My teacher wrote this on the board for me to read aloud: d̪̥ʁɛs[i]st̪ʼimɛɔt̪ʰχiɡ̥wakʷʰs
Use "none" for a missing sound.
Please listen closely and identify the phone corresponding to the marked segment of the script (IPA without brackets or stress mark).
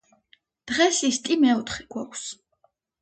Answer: i